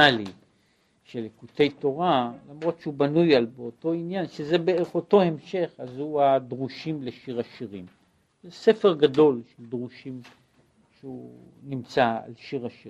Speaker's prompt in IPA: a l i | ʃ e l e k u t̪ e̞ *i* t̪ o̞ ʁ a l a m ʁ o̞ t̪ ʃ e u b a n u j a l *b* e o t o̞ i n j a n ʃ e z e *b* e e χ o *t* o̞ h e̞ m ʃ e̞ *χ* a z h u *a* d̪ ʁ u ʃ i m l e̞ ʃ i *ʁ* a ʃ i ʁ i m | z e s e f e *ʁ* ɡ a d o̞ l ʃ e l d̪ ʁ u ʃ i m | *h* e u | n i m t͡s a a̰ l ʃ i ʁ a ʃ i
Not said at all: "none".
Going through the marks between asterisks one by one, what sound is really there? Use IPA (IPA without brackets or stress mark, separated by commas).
j, b, b, t, χ, a, ʁ, ʁ, ʃ